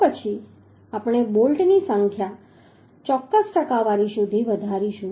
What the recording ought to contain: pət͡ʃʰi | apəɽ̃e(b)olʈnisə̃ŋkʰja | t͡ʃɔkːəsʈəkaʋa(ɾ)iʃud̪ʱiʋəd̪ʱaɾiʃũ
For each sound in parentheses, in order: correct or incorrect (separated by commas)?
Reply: correct, correct